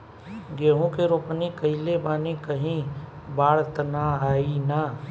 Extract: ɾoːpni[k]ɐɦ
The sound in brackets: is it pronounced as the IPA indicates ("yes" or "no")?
yes